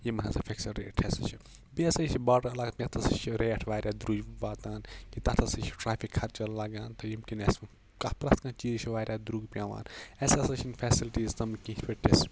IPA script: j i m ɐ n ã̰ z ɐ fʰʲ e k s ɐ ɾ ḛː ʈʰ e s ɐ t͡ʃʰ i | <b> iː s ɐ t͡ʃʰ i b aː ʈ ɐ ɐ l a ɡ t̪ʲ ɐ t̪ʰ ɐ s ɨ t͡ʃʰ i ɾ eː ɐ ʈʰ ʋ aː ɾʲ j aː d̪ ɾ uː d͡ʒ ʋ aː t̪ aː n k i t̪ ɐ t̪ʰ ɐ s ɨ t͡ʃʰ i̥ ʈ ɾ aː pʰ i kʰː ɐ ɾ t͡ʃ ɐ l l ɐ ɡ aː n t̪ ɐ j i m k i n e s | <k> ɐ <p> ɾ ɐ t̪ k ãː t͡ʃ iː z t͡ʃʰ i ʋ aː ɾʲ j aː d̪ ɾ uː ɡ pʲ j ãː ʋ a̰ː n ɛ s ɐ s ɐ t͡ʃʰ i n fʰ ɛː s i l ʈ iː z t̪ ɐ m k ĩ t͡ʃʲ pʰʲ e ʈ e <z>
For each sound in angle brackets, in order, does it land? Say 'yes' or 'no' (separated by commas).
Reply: yes, yes, yes, no